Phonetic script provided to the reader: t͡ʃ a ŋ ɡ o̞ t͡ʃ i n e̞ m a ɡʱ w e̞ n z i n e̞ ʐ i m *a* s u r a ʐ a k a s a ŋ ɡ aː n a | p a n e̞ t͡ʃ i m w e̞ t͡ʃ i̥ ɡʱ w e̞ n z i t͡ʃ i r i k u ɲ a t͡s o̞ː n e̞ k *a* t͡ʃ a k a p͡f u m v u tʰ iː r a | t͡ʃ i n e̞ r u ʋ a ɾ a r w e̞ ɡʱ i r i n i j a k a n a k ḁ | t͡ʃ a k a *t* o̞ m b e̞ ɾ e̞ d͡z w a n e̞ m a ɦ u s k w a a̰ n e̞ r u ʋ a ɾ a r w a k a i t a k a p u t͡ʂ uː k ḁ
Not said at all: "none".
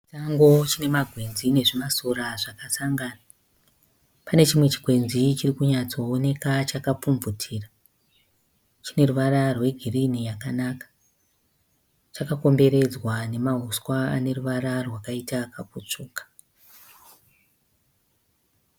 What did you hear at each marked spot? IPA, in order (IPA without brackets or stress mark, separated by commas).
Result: a, a, k